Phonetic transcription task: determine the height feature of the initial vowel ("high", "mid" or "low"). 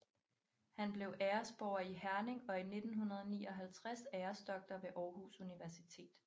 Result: low